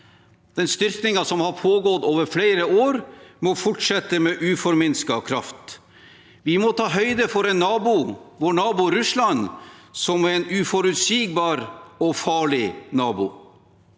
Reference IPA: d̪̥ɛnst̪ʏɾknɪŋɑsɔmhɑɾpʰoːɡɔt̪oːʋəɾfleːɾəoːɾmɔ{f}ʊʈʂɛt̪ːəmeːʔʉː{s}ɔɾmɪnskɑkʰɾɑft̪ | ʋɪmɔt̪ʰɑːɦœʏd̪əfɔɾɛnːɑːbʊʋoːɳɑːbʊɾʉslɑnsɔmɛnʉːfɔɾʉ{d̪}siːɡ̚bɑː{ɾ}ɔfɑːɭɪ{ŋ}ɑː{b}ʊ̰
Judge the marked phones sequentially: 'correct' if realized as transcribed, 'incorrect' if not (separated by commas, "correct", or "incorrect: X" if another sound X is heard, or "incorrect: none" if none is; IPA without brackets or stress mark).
correct, incorrect: f, incorrect: t̪, correct, incorrect: n, correct